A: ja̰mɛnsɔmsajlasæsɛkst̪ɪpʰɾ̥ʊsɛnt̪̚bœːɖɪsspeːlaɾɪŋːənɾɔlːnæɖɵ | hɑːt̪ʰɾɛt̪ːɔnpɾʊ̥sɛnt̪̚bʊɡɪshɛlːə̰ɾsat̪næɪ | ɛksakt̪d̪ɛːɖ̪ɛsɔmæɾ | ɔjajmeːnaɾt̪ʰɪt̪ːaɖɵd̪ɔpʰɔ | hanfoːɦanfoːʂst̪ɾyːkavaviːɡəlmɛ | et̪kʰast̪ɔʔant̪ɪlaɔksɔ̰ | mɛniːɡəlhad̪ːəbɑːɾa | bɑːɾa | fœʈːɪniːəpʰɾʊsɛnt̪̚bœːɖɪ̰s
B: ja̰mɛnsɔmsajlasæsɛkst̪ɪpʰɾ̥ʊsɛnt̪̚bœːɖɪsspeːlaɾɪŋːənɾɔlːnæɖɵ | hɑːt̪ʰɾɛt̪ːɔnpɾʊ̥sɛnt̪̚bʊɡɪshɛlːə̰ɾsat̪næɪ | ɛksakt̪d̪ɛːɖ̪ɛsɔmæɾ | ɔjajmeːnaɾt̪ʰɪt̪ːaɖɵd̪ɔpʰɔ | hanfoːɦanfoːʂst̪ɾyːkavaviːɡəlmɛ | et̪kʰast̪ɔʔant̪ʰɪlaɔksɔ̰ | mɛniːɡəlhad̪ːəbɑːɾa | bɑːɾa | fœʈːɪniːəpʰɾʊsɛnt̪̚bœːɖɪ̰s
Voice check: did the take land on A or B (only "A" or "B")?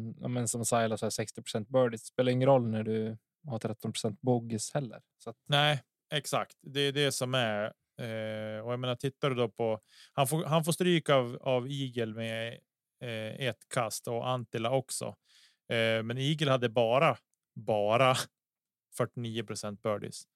A